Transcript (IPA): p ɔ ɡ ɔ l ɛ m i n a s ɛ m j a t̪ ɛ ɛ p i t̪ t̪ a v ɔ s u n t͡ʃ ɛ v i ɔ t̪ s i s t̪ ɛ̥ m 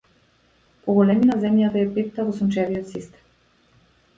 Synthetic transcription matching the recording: p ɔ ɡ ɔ l ɛ m i n a z ɛ m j a t̪ a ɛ p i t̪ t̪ a v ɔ s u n t͡ʃ ɛ v i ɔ t̪ s i s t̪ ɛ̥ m